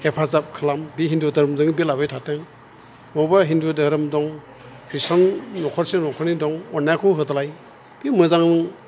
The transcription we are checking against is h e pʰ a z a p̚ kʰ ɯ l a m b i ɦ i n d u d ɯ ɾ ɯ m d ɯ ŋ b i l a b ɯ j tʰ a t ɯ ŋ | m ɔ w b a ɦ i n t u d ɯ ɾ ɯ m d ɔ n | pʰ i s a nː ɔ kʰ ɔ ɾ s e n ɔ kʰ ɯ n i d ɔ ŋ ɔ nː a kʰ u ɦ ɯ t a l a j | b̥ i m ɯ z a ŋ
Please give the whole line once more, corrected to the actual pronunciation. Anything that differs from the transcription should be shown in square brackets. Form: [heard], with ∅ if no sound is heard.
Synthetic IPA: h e pʰ a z a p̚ kʰ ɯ l a m b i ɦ i n d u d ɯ ɾ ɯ m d ɯ ŋ b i l a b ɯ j tʰ a t ɯ ŋ | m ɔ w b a ɦ i n [d] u d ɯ ɾ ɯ m d ɔ [ŋ] | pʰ i s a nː ɔ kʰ ɔ ɾ s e n ɔ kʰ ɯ n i d ɔ ŋ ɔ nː a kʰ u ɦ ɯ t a l a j | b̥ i m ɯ z a ŋ